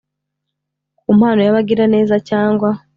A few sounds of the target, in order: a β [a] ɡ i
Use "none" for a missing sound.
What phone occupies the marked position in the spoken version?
a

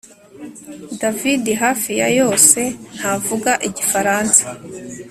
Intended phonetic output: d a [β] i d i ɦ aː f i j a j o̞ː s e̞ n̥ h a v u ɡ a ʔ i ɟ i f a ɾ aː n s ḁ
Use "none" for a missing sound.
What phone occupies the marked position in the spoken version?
v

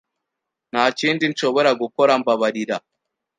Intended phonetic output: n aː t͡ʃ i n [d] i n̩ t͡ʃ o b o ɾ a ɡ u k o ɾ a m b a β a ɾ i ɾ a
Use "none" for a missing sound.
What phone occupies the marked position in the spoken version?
d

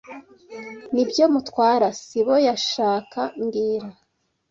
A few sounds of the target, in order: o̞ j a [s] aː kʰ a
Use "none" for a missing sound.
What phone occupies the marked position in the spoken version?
ʃ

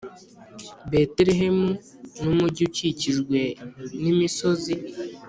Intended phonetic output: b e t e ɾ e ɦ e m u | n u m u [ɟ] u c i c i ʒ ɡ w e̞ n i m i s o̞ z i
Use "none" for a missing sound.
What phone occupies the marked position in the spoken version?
ɟ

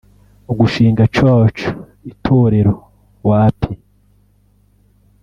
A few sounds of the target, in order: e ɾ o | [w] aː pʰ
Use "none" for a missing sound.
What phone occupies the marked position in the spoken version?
w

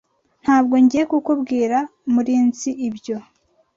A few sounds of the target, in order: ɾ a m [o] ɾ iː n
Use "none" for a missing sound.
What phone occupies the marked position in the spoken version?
u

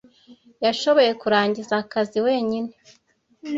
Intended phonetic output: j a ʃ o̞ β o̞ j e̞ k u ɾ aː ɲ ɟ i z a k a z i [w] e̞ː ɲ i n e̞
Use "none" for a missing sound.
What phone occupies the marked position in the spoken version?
w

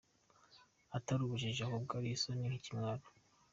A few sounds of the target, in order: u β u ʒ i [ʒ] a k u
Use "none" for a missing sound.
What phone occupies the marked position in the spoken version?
ʒ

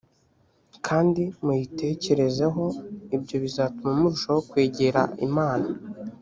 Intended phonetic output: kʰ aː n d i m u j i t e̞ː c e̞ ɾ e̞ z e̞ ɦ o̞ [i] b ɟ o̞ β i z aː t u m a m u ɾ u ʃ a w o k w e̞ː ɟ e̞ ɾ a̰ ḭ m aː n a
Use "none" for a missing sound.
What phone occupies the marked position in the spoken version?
i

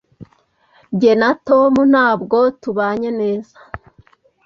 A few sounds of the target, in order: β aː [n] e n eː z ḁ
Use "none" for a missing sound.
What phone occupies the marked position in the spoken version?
ɲ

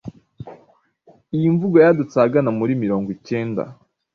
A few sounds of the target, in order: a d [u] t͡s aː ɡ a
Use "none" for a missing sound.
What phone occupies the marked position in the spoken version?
u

